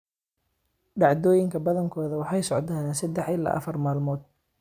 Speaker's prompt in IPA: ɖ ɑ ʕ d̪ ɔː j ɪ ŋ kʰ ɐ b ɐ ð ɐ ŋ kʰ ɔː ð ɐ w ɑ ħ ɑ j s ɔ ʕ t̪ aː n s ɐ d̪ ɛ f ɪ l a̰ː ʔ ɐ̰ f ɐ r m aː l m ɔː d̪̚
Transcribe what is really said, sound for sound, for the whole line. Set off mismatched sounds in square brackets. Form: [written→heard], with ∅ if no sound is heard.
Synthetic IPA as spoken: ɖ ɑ ʕ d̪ ɔː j ɪ ŋ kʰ ɐ b ɐ ð ɐ ŋ kʰ ɔː ð ɐ w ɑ ħ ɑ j s ɔ ʕ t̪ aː n s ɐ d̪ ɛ [f→ħ] ɪ l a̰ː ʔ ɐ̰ f ɐ r m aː l m ɔː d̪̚